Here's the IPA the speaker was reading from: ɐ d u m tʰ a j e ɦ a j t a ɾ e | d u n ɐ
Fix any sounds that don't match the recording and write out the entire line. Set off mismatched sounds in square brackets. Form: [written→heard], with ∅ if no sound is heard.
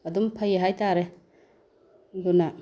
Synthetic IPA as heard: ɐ d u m [tʰ→pʰ] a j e ɦ a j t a ɾ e | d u n [ɐ→a]

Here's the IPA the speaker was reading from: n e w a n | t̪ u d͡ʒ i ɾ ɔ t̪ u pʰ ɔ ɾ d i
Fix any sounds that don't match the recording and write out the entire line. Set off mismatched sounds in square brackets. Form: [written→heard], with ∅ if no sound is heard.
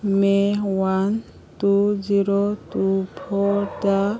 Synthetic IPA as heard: [n→m] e w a n | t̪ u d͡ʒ i ɾ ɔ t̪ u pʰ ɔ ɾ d [i→a]

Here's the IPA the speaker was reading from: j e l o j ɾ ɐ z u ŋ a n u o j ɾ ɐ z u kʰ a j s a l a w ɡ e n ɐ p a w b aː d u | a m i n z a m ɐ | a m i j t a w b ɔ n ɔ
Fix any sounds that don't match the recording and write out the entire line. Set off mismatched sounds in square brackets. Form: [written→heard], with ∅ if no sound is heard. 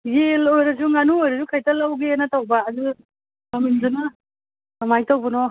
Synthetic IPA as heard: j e l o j ɾ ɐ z u ŋ a n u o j ɾ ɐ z u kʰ a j [s→t] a l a w ɡ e n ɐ [p→t] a w b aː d u | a m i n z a [m→n] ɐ | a m [i→a] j t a w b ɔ n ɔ

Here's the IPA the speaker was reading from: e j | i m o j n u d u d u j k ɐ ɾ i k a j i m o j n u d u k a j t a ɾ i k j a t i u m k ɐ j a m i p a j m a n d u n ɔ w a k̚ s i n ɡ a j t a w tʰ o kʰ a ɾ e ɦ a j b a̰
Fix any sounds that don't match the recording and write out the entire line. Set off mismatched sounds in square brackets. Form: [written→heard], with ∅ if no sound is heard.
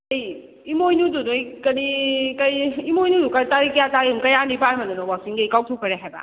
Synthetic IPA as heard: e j | i m o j n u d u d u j k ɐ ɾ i k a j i m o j n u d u k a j t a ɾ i k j a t [i→a] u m k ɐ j a [m→n] i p a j m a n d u n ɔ w a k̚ s i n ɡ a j [t→k] a w tʰ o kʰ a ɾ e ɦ a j b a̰

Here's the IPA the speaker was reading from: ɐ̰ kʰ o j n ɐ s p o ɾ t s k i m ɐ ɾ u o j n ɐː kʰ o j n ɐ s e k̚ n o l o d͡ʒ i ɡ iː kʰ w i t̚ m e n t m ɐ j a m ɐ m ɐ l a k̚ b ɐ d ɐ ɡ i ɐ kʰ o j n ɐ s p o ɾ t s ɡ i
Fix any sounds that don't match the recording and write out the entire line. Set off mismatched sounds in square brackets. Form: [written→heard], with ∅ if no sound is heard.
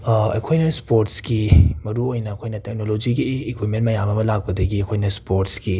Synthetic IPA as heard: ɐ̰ kʰ o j n ɐ s p o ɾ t s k i m ɐ ɾ u o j n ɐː kʰ o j n ɐ [s→t] e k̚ n o l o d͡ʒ i ɡ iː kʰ w i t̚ m e n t m ɐ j a m ɐ m ɐ l a k̚ [b→p] ɐ d ɐ ɡ i ɐ kʰ o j n ɐ s p o ɾ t s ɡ i

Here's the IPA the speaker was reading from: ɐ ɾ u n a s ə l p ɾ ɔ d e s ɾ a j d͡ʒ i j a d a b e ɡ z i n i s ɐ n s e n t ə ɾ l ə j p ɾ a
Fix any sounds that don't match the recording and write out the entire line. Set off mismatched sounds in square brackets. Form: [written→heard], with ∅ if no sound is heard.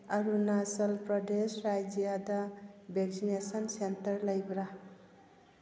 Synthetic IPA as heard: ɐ ɾ u n a s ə l p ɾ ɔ d e s ɾ a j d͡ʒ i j a d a b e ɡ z i n [i→e] s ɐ n s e n t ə ɾ l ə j [p→b] ɾ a

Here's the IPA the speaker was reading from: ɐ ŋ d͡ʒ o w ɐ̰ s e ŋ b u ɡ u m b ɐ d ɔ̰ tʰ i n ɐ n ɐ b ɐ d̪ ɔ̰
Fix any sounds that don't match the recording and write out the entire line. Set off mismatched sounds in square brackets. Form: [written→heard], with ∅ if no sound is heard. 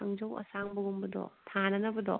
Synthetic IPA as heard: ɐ ŋ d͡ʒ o w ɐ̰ s [e→a] ŋ b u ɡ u m b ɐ d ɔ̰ tʰ [i→a] n ɐ n ɐ b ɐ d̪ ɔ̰

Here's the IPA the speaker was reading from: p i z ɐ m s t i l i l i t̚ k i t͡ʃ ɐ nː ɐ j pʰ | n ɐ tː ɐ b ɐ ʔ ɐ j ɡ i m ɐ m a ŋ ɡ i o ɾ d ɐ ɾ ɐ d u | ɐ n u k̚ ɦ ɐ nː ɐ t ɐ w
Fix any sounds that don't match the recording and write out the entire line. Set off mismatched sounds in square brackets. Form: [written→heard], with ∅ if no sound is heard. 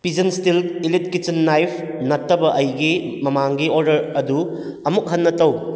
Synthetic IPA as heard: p i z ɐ [m→n] s t i l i l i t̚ k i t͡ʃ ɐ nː [ɐ→a] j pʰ | n ɐ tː ɐ b ɐ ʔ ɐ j ɡ i m ɐ m a ŋ ɡ i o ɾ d ɐ ɾ ɐ d u | ɐ [n→m] u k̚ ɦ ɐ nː ɐ t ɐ w

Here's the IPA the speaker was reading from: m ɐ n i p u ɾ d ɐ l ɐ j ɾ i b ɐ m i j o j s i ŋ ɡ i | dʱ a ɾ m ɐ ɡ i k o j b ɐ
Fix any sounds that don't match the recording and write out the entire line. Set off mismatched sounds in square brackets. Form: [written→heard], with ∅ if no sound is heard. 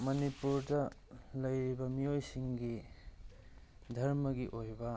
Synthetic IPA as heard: m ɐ n i p u ɾ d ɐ l ɐ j ɾ i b ɐ m i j o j s i ŋ ɡ i | dʱ [a→ɐ] ɾ m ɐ ɡ i [k→ʔ] o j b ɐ

